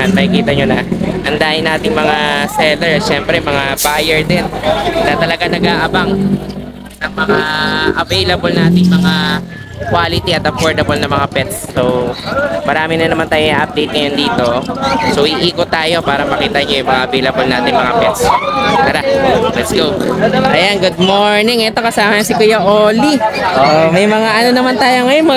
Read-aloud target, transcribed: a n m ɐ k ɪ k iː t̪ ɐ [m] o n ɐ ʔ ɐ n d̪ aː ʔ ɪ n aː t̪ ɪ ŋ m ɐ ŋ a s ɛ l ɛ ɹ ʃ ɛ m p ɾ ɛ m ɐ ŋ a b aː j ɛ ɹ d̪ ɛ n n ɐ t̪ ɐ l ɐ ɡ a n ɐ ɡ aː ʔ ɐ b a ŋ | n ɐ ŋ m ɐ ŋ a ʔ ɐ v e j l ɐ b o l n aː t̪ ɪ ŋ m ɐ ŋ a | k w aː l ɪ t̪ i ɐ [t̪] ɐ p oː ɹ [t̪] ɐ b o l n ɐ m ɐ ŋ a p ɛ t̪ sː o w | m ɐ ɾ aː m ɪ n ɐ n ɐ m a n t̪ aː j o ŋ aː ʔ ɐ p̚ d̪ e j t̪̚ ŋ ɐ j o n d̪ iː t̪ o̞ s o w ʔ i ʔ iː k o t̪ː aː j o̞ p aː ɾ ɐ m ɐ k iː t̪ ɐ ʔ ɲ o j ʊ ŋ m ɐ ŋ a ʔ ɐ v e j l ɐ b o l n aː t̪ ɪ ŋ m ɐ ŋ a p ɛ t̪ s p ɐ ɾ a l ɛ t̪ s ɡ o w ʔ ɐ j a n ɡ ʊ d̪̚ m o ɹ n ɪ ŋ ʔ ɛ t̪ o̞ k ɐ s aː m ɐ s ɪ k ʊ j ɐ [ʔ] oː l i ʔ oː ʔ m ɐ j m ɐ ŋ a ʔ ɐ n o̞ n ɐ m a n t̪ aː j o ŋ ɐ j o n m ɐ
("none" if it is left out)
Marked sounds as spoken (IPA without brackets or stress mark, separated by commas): ɲ, t̪, d̪, ʔ